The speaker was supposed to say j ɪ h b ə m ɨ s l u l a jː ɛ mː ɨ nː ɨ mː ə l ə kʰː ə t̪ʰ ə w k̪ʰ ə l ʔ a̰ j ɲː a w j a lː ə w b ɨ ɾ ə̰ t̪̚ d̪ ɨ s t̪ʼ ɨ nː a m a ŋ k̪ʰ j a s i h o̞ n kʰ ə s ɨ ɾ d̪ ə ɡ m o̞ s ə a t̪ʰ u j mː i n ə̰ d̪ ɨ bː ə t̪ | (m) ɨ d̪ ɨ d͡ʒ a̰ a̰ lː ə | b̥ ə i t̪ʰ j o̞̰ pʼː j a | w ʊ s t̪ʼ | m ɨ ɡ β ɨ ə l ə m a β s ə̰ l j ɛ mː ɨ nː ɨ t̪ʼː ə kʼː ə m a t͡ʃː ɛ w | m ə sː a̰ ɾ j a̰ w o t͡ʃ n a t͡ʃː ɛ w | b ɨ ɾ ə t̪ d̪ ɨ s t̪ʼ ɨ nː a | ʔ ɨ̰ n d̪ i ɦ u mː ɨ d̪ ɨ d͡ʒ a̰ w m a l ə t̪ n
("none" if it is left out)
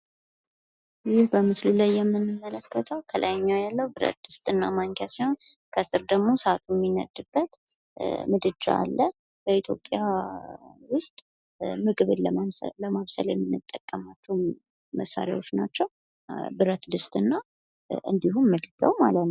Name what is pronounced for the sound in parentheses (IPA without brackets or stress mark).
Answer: m